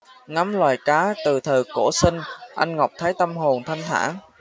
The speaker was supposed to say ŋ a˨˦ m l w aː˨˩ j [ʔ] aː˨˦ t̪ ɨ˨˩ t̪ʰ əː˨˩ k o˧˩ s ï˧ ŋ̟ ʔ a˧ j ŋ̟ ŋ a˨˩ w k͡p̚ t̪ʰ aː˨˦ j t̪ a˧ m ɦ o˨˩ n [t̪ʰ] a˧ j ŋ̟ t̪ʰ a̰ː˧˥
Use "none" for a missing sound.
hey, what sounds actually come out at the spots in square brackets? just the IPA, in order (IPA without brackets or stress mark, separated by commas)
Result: k, t̪ʰ